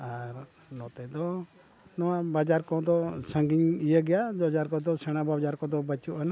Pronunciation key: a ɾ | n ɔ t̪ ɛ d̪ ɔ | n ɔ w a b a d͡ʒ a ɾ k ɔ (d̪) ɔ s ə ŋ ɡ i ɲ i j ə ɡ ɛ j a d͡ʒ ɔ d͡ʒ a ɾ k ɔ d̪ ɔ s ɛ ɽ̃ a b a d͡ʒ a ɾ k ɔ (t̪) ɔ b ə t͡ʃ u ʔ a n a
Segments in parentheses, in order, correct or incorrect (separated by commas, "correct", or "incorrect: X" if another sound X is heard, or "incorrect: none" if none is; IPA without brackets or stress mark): correct, incorrect: d̪